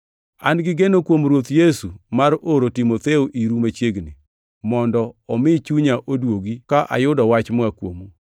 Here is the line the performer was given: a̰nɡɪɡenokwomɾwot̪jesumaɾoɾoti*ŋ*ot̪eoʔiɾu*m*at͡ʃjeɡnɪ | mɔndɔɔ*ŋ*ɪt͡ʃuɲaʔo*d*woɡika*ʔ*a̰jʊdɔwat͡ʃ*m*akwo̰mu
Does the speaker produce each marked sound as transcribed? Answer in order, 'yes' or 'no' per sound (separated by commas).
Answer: no, yes, no, yes, yes, yes